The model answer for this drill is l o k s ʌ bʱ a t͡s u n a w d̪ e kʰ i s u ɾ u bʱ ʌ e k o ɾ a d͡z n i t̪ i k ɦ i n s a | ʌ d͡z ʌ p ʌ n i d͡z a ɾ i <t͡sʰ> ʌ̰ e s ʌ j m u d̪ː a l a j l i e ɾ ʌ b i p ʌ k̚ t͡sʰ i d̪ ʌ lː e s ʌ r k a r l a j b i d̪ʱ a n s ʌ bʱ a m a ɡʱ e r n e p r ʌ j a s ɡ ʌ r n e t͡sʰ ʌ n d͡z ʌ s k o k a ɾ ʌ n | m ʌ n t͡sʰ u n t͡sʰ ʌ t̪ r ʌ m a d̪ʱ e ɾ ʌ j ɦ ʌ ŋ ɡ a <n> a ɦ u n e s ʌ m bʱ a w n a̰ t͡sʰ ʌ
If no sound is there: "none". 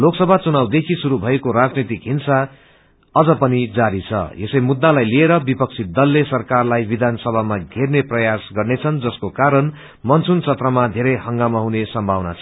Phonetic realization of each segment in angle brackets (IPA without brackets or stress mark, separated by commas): t͡sʰ, m